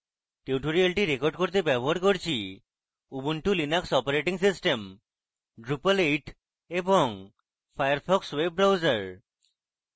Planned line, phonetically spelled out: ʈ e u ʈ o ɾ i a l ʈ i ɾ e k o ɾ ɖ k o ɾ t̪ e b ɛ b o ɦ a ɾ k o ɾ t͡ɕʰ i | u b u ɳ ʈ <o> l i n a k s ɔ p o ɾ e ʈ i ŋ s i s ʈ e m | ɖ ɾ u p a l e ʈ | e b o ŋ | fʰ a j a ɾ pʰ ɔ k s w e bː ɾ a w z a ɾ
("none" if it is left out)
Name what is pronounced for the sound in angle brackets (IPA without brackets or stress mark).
u